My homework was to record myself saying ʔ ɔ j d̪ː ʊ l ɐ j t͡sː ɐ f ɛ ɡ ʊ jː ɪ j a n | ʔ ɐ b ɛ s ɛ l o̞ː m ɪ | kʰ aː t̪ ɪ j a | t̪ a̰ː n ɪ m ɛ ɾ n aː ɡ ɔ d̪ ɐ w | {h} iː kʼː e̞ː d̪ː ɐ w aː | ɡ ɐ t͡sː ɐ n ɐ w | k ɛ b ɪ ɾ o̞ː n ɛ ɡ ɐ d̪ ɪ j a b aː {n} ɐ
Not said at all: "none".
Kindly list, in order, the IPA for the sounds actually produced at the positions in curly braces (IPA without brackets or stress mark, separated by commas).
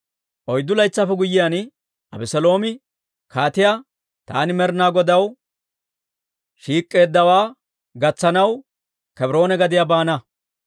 ʃ, n